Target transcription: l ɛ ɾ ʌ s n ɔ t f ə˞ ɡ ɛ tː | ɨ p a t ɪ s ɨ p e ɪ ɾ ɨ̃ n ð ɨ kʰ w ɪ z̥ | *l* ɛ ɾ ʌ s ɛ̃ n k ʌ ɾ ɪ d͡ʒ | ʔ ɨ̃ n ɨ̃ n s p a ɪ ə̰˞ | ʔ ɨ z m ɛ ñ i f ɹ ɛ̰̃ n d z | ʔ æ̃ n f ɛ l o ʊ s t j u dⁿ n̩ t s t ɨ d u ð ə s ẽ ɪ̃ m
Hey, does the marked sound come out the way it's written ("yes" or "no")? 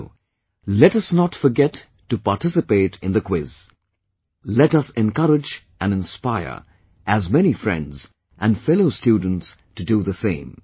yes